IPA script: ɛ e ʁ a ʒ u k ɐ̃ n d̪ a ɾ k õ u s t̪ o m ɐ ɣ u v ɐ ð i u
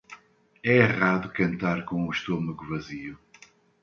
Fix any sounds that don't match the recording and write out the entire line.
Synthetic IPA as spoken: ɛ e ʁ a ð u k ɐ̃ n t̪ a ɾ k õ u ʃ t̪ o m ɐ ɣ u v ɐ z i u